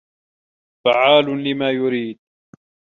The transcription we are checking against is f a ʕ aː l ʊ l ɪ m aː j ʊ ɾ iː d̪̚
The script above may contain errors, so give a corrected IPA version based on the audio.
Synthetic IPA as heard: f a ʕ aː l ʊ l ɪ m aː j ʊ ɾ iː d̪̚